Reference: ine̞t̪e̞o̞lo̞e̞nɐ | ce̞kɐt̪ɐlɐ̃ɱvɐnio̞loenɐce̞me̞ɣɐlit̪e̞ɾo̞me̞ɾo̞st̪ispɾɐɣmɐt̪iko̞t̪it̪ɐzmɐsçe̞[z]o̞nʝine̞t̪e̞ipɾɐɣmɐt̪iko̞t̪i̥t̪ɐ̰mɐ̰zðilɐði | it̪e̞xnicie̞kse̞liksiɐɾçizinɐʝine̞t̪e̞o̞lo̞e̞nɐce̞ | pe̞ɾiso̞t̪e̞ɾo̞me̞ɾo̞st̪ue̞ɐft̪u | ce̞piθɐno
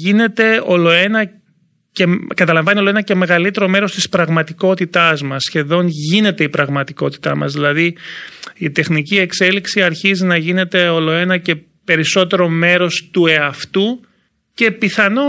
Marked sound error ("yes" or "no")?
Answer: yes